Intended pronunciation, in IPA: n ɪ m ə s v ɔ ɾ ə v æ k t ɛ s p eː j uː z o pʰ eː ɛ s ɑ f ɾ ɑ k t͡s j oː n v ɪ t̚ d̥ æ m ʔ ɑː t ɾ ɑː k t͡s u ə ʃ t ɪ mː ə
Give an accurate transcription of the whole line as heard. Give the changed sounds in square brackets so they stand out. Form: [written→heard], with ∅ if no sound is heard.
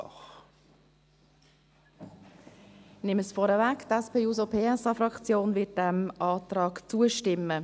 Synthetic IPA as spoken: n ɪ m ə s [v→f] ɔ ɾ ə v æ k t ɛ s p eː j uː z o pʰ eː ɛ s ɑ f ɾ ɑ k t͡s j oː n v ɪ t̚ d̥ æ m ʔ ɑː t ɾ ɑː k t͡s u ə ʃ t ɪ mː ə